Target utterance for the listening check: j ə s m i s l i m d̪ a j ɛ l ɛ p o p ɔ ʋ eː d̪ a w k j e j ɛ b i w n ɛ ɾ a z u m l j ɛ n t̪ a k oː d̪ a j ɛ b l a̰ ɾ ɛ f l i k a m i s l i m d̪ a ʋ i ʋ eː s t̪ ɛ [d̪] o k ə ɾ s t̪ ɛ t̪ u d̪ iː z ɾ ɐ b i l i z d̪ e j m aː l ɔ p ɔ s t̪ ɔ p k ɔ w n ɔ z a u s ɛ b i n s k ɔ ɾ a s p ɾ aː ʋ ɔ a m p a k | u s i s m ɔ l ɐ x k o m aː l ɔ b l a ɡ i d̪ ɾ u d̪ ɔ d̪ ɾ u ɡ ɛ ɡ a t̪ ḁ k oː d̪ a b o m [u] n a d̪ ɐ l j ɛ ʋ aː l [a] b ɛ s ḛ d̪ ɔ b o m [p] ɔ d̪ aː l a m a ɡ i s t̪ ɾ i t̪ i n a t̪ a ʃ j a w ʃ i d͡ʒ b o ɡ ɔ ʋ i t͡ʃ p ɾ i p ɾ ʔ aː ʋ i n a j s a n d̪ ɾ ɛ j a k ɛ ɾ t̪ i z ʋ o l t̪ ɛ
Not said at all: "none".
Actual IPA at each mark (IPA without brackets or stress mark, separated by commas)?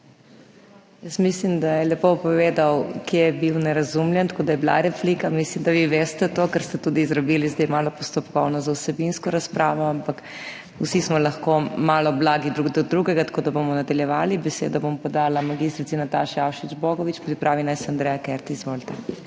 t̪, ɔ, i, p